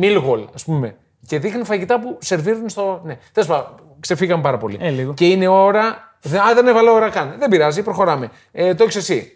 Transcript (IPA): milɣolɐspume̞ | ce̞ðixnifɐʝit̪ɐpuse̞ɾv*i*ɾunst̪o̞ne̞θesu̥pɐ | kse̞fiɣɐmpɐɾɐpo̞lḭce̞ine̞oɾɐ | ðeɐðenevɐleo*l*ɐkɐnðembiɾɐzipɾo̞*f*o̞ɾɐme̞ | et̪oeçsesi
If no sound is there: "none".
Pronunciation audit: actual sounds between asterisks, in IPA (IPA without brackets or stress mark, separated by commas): i, ɾ, x